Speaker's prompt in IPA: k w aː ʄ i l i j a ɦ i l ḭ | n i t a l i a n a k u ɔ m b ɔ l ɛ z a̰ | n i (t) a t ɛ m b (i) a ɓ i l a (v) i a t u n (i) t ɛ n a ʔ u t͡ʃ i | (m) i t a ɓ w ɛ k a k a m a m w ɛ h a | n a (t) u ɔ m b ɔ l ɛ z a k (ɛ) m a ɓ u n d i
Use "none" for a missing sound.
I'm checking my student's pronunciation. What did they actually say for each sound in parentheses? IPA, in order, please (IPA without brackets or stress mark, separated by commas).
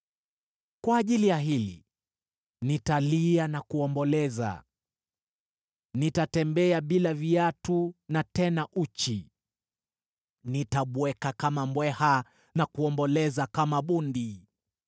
t, ɛ, v, a, n, k, a